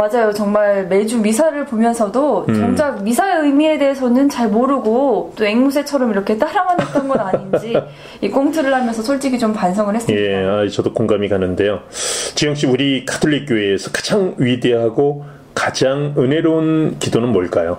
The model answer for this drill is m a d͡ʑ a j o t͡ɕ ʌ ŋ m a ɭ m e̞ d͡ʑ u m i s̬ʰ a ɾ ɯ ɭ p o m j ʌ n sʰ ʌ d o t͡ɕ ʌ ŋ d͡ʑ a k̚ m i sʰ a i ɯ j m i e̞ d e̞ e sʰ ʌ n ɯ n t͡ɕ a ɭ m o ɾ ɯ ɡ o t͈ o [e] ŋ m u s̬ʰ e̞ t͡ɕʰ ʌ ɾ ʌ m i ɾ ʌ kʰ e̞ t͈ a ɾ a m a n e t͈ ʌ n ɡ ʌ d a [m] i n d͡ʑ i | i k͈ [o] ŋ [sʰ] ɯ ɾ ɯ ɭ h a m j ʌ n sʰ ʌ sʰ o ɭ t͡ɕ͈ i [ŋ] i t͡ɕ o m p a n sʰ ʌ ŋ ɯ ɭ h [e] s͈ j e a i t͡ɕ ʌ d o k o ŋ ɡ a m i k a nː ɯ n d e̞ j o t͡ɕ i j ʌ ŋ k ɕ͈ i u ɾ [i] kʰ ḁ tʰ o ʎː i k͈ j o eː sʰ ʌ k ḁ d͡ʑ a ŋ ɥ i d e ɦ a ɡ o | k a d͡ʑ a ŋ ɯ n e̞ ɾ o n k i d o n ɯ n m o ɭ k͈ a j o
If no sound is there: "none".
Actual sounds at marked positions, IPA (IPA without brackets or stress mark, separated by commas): e, ɲ, o, tʰ, ɡ, e, i